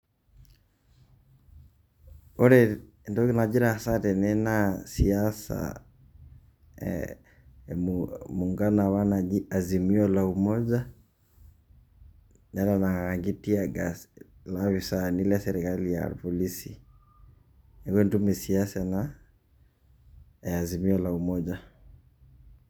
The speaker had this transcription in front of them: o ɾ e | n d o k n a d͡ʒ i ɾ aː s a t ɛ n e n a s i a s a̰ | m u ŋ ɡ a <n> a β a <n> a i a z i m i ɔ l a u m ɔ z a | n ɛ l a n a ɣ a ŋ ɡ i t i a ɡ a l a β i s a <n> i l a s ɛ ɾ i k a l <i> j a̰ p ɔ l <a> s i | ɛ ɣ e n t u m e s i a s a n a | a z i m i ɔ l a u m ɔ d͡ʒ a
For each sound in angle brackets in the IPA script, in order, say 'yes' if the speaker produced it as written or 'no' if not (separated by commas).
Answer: yes, yes, yes, yes, no